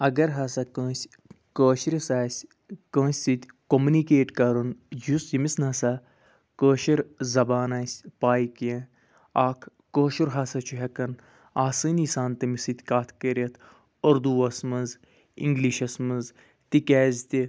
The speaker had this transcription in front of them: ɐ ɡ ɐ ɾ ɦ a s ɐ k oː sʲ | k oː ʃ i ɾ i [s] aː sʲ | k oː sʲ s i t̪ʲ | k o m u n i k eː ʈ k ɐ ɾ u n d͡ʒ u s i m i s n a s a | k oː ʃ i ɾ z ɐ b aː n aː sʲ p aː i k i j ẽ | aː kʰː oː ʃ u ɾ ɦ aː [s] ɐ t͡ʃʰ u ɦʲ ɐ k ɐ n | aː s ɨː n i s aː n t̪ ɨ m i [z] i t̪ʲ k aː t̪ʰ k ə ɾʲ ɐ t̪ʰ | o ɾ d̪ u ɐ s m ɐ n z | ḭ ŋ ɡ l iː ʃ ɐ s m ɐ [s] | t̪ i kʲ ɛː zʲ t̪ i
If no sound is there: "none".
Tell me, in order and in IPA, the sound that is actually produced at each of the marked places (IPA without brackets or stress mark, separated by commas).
s, s, s, z